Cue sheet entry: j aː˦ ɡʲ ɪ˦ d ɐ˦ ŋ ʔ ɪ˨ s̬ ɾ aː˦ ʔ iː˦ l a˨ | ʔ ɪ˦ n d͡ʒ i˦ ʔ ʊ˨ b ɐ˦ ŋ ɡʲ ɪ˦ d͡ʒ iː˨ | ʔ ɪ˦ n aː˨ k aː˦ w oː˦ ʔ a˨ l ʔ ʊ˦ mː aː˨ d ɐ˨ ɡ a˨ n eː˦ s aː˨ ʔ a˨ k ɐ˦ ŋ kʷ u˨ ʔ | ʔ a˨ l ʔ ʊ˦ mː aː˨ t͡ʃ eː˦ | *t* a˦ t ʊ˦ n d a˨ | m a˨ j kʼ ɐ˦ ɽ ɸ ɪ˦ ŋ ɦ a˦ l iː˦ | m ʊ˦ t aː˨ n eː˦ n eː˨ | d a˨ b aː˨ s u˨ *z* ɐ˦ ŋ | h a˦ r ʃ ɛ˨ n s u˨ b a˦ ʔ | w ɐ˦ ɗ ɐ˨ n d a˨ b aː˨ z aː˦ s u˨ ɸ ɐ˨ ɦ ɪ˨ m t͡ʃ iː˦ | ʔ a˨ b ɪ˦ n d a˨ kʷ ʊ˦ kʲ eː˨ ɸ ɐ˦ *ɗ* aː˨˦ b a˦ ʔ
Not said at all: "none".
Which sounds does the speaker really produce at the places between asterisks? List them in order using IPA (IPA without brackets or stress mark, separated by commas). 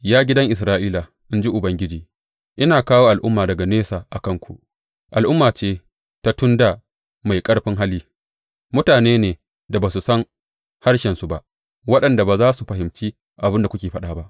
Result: t, s, ɗ